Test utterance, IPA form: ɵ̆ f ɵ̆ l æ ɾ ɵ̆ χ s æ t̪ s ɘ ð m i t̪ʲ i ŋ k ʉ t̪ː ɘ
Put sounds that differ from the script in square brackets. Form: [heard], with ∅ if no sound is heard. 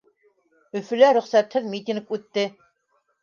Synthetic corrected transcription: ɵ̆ f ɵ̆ l æ ɾ ɵ̆ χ s æ t̪ [h] ɘ ð m i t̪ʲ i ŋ k ʉ t̪ː ɘ